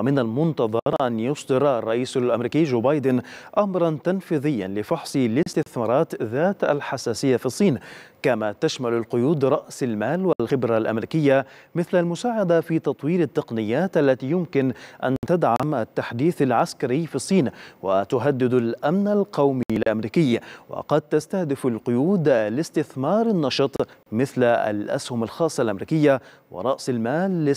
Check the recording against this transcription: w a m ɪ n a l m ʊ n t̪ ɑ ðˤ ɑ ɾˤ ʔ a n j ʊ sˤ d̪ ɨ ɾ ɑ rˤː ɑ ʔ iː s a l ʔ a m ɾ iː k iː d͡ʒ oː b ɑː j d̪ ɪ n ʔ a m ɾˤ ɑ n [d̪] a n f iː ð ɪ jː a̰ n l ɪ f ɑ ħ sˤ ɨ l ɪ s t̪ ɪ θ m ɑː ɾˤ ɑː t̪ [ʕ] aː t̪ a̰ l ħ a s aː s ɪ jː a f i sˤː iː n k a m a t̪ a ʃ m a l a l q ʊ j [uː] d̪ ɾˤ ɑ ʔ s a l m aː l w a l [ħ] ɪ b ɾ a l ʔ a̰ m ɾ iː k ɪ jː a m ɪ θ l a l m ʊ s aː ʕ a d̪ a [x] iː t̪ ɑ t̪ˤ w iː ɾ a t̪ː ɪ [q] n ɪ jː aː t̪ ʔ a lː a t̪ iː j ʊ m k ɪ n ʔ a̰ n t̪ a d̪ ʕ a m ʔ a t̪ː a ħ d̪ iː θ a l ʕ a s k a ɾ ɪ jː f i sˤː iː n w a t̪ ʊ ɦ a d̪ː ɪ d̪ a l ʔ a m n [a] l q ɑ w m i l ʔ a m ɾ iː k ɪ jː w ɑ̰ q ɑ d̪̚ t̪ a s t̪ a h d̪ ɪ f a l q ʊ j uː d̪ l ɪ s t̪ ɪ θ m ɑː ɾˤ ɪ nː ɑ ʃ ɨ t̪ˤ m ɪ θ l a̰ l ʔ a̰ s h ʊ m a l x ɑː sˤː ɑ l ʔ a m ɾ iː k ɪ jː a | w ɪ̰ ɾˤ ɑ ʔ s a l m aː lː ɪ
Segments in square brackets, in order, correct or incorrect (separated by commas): incorrect, incorrect, correct, incorrect, incorrect, correct, correct